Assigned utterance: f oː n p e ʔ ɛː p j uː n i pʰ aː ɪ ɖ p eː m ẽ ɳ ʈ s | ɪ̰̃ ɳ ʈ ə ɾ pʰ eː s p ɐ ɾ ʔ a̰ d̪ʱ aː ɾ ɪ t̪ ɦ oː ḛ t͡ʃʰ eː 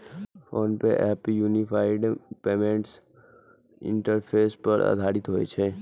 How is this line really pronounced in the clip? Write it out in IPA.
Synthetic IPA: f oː n p e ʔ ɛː p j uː n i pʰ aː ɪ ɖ p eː m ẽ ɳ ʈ s | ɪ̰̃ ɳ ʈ ə ɾ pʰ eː s p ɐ ɾ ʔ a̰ d̪ʱ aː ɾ ɪ t̪ ɦ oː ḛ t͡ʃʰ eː